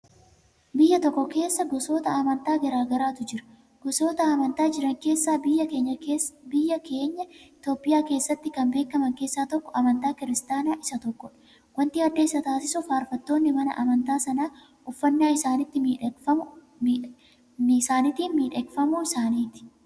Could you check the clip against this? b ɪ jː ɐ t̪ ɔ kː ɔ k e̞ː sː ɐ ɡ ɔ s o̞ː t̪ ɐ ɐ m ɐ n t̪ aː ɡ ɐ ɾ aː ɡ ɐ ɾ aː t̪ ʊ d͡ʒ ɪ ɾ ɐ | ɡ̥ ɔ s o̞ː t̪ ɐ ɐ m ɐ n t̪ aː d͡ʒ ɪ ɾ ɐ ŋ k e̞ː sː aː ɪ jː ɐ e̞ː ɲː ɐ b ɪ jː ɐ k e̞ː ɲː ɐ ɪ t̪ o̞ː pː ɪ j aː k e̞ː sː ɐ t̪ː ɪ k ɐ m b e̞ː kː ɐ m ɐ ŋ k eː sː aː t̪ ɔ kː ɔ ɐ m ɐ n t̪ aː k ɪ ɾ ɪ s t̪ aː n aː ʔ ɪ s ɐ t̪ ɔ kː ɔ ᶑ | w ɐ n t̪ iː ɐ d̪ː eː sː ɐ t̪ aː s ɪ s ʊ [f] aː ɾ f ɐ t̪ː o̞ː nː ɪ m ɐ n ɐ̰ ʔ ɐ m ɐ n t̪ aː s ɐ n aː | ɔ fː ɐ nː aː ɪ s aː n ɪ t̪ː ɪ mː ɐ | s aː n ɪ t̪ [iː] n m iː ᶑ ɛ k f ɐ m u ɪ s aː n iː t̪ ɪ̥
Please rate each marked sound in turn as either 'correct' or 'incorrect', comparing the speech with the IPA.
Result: correct, correct

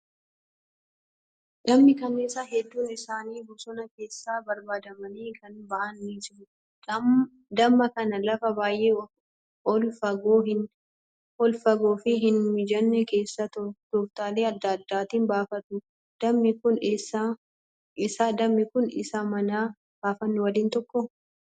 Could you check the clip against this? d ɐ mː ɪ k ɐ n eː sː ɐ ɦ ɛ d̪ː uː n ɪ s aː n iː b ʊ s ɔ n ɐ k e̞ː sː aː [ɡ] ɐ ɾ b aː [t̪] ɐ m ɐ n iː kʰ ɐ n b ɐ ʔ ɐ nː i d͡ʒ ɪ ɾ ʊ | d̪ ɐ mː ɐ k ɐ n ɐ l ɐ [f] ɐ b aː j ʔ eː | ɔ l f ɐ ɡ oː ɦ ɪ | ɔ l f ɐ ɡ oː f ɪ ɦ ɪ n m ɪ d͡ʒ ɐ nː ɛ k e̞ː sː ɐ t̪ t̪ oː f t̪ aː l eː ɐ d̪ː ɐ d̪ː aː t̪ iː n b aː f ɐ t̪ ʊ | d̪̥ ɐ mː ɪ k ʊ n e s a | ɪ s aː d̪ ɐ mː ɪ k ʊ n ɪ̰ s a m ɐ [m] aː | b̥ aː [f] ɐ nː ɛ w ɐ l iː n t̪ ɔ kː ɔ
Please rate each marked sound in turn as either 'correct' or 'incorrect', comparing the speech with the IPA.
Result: incorrect, incorrect, correct, incorrect, correct

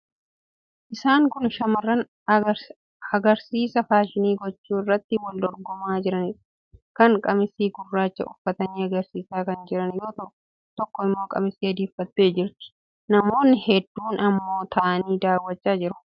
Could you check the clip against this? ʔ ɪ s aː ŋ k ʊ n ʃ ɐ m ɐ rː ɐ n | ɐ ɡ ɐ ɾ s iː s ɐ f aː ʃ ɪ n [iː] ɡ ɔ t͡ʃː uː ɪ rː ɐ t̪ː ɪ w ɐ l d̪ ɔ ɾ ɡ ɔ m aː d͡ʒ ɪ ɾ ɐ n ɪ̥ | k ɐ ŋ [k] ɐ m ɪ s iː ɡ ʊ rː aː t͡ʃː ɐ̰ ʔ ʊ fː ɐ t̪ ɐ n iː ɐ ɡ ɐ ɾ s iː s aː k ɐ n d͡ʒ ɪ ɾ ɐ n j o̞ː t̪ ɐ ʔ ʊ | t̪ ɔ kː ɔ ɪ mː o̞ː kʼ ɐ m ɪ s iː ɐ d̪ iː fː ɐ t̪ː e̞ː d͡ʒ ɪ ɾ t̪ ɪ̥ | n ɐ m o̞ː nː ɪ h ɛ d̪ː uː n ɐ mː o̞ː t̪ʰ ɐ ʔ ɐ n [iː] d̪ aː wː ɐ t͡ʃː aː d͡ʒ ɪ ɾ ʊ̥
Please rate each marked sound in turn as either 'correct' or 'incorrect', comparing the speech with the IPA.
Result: correct, incorrect, correct

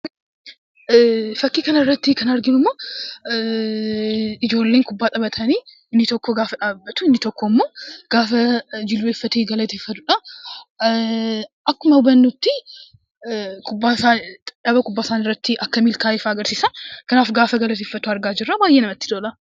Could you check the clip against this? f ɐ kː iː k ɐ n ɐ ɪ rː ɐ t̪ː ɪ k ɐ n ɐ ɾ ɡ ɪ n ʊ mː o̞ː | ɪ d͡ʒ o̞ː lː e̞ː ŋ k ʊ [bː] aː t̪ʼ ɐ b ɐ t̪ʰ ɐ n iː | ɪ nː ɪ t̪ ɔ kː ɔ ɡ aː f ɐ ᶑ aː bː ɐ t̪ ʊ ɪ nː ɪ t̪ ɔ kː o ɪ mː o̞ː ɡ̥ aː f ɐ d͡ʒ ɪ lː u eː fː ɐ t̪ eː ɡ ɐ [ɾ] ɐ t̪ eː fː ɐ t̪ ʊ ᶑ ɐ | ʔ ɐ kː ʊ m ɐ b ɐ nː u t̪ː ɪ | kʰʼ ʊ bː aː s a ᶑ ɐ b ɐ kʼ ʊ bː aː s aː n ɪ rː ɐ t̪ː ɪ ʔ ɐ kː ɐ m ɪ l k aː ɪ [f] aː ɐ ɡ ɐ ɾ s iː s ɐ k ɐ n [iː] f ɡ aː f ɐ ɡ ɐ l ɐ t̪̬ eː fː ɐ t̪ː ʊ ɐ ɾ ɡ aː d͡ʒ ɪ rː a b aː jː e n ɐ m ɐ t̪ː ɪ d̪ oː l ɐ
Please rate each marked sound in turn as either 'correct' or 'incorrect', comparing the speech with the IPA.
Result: correct, incorrect, correct, incorrect

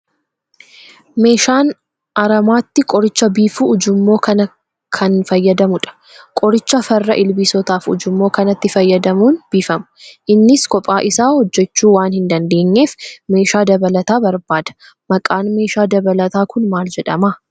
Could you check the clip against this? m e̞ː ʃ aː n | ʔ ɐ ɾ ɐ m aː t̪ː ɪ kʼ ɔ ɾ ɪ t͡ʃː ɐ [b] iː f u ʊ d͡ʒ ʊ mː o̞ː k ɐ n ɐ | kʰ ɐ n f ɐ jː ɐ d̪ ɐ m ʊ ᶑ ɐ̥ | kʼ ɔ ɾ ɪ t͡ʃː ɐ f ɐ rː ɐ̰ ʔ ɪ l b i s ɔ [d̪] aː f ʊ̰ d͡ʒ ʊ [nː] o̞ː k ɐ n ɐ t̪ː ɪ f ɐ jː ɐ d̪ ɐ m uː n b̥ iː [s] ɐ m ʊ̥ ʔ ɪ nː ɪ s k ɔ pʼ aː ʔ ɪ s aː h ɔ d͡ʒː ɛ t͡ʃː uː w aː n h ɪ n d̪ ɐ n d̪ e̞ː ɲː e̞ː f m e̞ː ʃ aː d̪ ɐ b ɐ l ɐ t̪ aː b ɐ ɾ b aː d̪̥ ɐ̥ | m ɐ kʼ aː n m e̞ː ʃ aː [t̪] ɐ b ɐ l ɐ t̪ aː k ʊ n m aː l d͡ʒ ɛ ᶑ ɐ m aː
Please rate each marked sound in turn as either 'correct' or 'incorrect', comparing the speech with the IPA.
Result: correct, incorrect, incorrect, incorrect, incorrect

